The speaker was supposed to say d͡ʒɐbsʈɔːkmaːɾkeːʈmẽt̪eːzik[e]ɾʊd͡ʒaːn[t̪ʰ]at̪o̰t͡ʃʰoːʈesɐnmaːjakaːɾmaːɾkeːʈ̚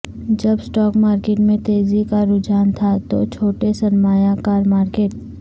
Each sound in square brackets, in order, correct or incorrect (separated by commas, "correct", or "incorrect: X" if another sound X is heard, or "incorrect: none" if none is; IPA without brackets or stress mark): incorrect: a, correct